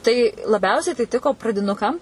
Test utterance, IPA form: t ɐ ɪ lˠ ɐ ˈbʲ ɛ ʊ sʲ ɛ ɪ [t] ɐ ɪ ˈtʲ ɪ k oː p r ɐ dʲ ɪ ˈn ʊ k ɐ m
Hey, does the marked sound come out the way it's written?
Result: yes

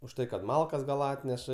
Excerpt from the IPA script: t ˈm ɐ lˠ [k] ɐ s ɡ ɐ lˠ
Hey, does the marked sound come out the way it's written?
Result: yes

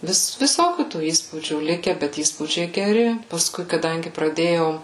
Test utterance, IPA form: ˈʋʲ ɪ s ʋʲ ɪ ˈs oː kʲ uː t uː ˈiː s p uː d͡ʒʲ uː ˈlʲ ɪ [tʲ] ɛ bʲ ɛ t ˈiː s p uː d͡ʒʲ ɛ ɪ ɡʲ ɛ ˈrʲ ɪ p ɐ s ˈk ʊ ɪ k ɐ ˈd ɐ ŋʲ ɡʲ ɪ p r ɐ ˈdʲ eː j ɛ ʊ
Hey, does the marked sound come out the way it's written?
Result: no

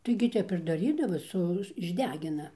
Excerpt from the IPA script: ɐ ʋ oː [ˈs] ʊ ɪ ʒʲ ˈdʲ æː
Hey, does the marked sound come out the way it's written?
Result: yes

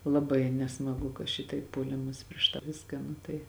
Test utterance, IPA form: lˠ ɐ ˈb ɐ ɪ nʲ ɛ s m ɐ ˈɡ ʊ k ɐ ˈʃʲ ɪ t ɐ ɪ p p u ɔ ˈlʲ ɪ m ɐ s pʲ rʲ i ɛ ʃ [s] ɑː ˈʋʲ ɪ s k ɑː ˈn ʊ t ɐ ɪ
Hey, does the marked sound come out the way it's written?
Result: no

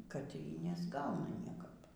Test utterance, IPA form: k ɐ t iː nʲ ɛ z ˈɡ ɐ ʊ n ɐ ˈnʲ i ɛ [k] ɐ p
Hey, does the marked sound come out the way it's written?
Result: yes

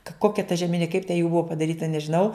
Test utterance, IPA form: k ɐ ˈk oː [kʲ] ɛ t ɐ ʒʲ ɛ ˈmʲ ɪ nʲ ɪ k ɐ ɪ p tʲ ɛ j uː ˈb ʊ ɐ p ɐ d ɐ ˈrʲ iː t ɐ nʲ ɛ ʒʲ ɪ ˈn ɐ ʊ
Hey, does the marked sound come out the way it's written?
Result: yes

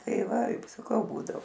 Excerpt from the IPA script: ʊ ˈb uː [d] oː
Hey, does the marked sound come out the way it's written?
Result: yes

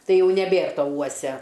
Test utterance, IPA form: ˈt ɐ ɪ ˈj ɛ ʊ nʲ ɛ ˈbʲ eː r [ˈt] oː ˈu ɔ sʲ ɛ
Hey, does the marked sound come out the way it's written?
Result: yes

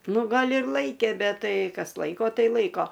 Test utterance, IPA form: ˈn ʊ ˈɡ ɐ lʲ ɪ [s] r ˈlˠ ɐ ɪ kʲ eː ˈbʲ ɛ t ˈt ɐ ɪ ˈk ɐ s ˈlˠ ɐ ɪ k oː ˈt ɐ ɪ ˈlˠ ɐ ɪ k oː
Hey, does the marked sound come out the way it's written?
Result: no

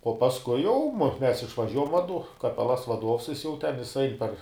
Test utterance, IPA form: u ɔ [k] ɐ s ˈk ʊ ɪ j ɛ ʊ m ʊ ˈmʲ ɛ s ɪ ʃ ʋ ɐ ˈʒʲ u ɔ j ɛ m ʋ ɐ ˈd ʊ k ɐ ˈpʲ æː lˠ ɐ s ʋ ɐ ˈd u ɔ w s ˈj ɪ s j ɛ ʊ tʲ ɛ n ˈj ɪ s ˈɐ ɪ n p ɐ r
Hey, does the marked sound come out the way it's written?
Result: no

